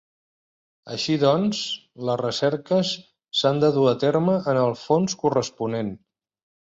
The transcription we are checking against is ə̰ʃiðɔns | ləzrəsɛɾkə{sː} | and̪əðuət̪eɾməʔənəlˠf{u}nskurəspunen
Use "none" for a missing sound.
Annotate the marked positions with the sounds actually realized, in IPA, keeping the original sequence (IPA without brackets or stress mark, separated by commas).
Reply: sː, o